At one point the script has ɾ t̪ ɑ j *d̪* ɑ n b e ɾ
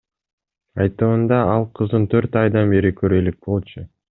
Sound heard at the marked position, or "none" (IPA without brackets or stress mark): d̪